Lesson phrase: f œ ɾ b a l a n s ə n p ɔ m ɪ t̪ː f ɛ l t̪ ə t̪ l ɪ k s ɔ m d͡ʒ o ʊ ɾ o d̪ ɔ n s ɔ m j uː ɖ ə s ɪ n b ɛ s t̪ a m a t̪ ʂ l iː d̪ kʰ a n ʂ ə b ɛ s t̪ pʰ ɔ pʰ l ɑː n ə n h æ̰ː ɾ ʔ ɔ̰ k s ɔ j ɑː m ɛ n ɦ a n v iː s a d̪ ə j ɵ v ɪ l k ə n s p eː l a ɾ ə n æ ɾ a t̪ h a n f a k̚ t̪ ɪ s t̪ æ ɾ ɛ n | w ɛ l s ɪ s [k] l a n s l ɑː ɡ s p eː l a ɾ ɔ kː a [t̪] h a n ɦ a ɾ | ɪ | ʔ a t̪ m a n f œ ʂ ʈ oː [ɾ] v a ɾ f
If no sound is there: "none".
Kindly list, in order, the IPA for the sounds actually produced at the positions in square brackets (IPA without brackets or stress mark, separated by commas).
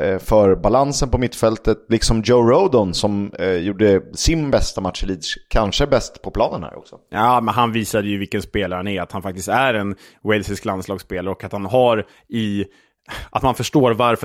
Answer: k, t̪, ɾ